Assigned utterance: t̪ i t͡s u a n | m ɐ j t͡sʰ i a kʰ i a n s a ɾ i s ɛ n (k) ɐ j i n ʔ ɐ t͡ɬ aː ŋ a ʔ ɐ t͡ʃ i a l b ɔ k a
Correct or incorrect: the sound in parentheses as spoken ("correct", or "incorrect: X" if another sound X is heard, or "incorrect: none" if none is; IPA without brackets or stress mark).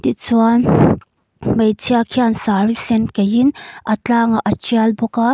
correct